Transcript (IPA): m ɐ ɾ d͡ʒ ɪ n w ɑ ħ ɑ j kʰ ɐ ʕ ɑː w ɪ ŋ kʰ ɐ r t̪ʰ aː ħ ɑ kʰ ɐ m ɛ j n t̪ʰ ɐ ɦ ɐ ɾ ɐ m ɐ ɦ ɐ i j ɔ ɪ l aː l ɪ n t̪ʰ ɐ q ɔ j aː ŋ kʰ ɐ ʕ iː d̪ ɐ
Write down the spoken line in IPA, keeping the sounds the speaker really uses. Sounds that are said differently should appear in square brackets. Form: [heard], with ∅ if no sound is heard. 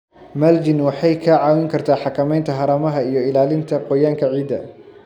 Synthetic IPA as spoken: m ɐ [l] d͡ʒ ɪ n w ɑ ħ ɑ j kʰ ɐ ʕ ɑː w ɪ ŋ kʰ ɐ r t̪ʰ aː ħ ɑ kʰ ɐ m ɛ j n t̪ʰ ɐ ɦ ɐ ɾ ɐ m ɐ ɦ ɐ i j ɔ ɪ l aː l ɪ n t̪ʰ ɐ q ɔ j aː ŋ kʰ ɐ ʕ iː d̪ ɐ